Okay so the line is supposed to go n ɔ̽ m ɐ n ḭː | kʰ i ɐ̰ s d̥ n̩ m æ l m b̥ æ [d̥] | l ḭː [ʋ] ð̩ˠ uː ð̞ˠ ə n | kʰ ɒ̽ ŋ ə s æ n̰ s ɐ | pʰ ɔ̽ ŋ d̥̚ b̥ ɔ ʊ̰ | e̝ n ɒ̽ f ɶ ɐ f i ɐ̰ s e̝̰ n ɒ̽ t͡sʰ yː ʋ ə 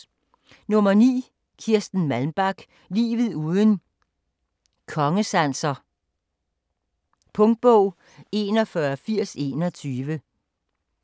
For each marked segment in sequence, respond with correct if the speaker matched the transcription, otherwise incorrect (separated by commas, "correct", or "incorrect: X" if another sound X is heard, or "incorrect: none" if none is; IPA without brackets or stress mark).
incorrect: ɡ̥, correct